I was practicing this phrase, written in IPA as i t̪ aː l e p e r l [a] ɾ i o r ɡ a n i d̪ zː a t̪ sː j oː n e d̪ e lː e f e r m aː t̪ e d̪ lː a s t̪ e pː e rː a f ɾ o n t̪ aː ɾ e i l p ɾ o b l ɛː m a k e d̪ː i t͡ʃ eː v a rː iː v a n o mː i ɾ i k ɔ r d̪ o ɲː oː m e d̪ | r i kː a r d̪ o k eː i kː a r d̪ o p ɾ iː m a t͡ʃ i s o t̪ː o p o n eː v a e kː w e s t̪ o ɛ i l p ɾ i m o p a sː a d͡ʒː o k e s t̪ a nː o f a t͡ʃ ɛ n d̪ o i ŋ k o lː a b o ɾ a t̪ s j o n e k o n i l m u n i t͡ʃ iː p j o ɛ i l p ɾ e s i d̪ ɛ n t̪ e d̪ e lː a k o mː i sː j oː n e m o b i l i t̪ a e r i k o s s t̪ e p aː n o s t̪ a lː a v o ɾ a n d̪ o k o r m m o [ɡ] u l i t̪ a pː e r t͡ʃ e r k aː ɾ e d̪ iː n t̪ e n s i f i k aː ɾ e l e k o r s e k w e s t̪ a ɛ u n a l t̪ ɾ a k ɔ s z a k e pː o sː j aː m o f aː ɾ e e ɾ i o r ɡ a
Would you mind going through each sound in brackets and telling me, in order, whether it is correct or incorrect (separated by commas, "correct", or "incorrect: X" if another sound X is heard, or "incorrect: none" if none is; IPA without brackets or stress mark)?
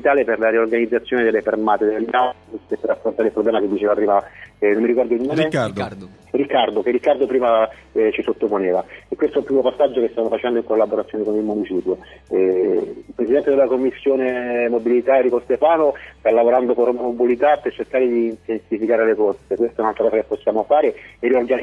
correct, incorrect: b